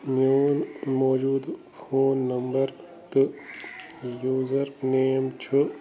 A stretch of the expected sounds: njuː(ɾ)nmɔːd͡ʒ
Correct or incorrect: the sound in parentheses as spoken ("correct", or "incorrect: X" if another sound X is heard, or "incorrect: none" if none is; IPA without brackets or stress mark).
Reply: incorrect: none